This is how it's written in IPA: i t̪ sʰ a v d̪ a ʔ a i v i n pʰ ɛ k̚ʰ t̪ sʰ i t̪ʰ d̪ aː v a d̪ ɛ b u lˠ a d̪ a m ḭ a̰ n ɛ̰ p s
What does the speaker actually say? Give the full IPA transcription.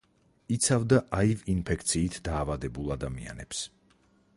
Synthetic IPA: i t̪ sʰ a v d̪ a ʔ a i v i n pʰ ɛ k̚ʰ t̪ sʰ iː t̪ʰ d̪ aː v a d̪ ɛ b u lˠ a d̪ a m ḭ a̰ n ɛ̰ p s